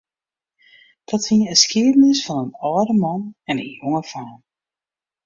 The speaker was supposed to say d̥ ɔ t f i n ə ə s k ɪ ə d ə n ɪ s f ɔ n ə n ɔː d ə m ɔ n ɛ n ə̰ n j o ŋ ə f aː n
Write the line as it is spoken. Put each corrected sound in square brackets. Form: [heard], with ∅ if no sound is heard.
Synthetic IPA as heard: d̥ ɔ t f i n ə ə s k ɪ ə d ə n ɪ s f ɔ n ə n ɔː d ə m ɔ n ɛ n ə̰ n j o ŋ ə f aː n